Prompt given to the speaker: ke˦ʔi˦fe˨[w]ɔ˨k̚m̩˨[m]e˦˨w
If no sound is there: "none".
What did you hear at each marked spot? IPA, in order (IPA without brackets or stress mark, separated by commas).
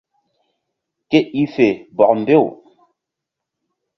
b, b